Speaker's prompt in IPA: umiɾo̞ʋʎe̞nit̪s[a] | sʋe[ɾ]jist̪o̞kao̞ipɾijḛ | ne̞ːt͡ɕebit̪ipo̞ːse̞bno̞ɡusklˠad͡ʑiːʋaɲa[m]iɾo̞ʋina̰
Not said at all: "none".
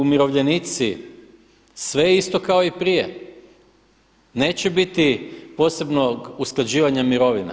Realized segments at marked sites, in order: i, none, m

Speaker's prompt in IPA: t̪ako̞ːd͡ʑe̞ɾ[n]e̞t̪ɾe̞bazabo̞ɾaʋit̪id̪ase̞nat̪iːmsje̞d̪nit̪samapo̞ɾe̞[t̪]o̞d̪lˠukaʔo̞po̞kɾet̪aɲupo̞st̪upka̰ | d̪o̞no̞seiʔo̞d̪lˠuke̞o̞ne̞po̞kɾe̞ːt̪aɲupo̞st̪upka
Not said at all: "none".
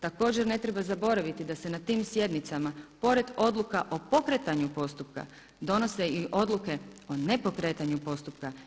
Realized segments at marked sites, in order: n, d̪

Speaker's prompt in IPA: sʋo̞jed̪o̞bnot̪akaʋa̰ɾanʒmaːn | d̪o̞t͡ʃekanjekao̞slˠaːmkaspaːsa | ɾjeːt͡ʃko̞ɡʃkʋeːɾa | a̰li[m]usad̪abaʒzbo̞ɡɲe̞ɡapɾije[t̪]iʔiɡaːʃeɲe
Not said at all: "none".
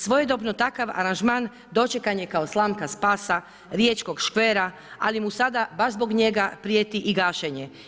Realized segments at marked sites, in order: m, t̪

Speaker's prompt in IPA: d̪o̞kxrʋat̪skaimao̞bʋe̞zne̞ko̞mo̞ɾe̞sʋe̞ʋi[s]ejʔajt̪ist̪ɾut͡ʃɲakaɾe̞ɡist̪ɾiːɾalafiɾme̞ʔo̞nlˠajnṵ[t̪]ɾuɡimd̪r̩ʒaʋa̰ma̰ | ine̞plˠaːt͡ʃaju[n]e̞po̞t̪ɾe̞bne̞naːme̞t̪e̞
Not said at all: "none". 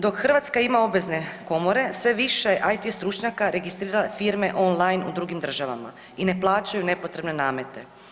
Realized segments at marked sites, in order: ʃ, d̪, n

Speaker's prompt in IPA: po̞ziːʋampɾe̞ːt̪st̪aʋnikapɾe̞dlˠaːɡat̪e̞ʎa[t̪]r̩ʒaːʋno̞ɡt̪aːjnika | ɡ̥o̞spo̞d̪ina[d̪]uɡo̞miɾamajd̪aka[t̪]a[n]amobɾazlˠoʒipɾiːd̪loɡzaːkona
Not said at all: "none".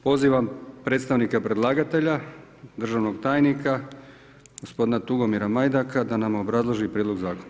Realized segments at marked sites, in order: d̪, t̪, d̪, n

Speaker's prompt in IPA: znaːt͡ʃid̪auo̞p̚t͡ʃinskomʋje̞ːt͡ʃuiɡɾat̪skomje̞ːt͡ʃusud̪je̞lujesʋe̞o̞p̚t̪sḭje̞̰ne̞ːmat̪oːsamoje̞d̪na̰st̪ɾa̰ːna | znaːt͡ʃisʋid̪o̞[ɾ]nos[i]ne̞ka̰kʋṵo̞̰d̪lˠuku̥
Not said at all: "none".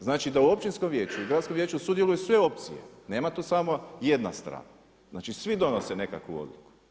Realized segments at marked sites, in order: none, e

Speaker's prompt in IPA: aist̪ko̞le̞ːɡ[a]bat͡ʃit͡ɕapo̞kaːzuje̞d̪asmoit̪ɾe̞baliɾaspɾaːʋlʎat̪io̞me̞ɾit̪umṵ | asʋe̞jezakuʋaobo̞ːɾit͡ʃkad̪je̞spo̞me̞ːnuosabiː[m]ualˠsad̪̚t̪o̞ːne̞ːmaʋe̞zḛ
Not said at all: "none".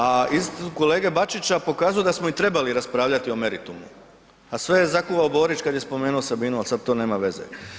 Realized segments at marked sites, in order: e, n

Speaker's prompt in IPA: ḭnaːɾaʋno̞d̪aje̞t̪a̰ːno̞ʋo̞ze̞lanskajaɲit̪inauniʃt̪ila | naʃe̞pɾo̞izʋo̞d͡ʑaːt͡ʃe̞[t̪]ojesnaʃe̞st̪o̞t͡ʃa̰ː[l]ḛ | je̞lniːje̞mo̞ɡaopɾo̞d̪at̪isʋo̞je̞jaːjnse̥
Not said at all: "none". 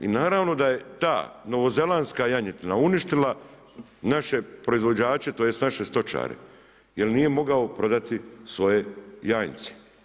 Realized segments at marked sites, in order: t̪, ɾ

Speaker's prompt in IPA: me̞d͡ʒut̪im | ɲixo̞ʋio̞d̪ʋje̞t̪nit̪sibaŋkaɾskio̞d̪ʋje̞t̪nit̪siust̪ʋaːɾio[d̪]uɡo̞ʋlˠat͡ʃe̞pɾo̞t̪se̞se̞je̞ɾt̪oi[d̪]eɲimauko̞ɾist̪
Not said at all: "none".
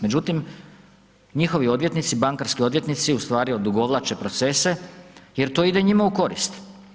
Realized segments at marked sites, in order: d̪, d̪

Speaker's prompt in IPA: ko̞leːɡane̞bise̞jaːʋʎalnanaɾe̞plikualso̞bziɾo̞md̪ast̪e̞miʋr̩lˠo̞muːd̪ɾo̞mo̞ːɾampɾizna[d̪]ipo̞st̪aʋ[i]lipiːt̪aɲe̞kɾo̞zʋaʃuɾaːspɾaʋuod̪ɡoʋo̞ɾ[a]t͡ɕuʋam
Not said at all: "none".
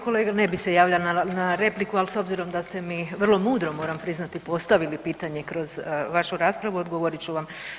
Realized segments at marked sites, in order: t̪, i, i

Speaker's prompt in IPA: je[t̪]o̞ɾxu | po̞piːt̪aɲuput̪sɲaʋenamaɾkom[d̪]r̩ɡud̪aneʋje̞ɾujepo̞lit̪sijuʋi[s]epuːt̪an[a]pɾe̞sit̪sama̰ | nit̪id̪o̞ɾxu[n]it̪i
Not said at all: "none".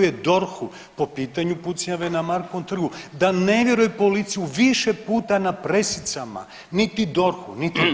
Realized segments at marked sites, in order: d̪, t̪, ʃ, a, n

